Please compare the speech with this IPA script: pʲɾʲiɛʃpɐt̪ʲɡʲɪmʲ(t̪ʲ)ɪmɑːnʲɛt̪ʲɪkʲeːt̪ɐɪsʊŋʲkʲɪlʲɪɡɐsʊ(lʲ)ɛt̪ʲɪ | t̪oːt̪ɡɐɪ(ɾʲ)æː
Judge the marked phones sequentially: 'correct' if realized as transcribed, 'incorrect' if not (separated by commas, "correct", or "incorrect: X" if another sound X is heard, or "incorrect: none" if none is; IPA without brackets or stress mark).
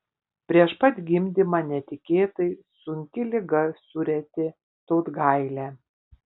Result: incorrect: d̪ʲ, incorrect: ɾʲ, incorrect: lʲ